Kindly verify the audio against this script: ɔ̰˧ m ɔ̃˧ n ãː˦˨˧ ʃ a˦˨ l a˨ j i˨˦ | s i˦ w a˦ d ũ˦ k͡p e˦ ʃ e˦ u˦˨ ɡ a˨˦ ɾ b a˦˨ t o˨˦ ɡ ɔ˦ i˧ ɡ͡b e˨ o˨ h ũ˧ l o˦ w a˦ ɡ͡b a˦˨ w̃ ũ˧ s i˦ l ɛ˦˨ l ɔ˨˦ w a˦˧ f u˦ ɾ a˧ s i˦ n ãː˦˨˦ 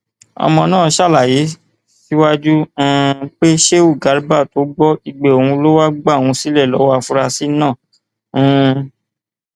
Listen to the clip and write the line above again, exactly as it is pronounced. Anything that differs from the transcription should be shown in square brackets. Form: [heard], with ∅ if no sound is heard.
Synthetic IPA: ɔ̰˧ m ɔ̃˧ n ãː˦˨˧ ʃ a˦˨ l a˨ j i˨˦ | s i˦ w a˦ [d͡ʒ] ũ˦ k͡p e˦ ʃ e˦ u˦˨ ɡ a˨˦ ɾ b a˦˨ t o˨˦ [ɡ͡b] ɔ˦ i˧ ɡ͡b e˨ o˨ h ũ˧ l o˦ w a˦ ɡ͡b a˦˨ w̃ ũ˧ s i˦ l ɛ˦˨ l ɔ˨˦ w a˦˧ f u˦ ɾ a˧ s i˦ n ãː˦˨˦